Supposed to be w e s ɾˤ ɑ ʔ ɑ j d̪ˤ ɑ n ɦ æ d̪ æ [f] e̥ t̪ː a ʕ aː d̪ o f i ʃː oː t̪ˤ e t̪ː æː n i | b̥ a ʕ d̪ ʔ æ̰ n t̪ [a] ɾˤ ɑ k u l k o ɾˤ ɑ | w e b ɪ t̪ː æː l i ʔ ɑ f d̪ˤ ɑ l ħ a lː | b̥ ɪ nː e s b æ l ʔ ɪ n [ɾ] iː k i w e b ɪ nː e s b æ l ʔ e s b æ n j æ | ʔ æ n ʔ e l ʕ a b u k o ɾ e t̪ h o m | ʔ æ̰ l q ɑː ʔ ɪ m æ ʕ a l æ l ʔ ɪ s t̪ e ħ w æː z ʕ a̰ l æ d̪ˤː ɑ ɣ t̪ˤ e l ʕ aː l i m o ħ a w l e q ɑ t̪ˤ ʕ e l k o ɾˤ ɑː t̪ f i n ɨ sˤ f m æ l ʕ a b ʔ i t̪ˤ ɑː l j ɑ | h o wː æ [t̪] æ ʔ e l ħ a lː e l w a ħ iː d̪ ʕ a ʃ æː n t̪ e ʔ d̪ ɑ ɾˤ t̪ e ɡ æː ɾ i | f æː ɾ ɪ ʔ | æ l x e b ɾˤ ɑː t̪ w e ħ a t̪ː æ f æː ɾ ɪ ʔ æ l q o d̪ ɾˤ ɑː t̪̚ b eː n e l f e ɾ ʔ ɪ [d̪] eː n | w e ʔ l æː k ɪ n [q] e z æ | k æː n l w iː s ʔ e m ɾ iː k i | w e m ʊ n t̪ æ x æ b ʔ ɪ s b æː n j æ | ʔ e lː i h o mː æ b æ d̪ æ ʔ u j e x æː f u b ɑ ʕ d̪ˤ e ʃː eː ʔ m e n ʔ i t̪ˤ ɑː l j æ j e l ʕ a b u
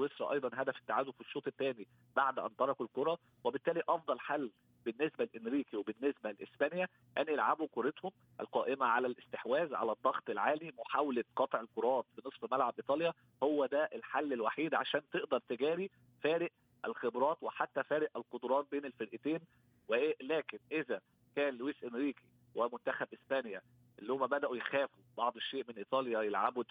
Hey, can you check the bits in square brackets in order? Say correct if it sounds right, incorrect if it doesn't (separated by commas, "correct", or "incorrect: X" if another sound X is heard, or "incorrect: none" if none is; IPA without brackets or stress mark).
correct, incorrect: ɑ, correct, incorrect: d̪, incorrect: t̪, incorrect: ʔ